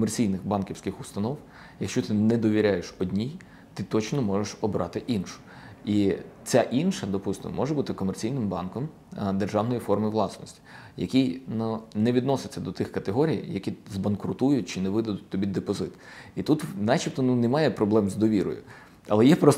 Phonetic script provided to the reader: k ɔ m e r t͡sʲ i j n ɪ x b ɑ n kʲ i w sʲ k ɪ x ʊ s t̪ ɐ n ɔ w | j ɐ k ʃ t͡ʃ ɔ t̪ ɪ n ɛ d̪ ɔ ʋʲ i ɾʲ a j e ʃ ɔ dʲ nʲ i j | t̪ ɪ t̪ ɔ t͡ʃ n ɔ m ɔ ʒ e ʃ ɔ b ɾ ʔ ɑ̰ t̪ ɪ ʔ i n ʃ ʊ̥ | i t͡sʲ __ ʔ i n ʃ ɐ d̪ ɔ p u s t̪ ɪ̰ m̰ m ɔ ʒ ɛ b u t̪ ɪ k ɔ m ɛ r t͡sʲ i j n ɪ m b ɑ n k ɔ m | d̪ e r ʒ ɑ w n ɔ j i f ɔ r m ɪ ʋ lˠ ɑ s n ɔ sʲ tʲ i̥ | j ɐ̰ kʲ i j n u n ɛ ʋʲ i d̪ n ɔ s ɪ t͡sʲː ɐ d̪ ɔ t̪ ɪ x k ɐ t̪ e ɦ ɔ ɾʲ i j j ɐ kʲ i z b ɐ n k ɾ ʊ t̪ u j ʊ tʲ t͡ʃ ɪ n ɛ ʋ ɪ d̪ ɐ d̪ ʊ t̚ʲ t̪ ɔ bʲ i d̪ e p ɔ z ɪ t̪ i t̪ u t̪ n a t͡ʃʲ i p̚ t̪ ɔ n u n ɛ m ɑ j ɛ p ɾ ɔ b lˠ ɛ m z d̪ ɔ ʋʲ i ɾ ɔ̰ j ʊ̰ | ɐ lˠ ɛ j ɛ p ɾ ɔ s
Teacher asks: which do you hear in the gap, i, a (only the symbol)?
a